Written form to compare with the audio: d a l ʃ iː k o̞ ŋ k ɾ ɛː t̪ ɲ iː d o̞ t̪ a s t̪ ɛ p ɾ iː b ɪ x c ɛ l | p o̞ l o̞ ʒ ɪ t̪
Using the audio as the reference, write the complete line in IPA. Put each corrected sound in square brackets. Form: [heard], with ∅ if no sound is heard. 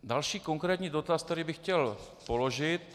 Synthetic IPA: d a l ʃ iː k o̞ ŋ k ɾ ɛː t̪ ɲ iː d o̞ t̪ a s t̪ ɛ [∅] ɾ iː b ɪ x c ɛ l | p o̞ l o̞ ʒ ɪ t̪